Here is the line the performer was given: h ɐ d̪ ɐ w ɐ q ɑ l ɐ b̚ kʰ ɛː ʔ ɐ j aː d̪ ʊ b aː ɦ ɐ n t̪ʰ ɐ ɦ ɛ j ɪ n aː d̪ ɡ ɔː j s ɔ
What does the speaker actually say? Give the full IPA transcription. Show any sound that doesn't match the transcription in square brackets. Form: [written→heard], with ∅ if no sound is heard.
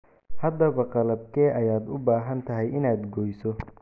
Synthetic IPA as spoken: h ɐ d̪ ɐ [w→β] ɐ q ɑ l ɐ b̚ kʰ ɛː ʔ ɐ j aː d̪ ʊ b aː ɦ ɐ n t̪ʰ ɐ ɦ ɛ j ɪ n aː d̪ ɡ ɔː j s ɔ